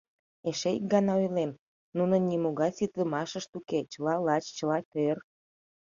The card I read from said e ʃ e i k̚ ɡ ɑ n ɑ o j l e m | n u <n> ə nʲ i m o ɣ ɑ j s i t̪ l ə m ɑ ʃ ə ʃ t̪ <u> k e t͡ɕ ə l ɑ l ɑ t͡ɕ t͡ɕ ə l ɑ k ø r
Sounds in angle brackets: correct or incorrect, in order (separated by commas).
correct, correct